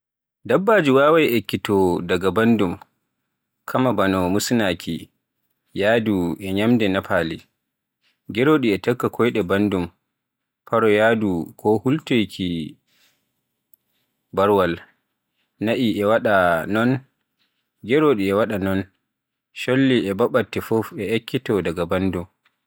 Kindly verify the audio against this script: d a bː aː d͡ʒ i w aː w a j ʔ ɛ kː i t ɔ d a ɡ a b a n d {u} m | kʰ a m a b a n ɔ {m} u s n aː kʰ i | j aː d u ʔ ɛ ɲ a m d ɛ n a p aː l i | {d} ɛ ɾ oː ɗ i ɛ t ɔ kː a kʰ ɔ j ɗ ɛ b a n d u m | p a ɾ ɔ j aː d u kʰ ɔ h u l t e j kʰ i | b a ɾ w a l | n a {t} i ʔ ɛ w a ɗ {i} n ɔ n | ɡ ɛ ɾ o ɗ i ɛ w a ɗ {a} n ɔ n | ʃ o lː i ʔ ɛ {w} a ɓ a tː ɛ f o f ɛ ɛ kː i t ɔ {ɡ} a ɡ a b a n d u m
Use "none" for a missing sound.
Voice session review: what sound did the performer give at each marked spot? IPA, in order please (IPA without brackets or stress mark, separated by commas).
u, m, ɡ, ʔ, a, a, b, d